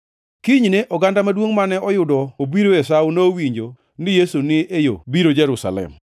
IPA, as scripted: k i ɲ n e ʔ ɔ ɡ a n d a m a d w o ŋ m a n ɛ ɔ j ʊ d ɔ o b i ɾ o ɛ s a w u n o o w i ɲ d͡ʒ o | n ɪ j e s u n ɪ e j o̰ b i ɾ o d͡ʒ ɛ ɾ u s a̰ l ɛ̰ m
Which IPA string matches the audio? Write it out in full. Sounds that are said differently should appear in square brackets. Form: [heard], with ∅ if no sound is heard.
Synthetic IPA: k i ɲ n e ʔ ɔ ɡ a n d a m a d w o ŋ m a n ɛ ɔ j ʊ d ɔ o b i ɾ o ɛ s a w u n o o w i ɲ d͡ʒ o | n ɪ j e s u n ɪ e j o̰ b i ɾ o d͡ʒ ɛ ɾ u s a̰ l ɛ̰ m